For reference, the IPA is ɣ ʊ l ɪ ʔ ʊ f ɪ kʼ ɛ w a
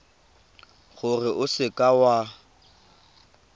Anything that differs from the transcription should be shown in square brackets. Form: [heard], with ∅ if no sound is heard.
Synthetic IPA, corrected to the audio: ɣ ʊ [r] ɪ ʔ ʊ [s] ɪ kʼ [a] w a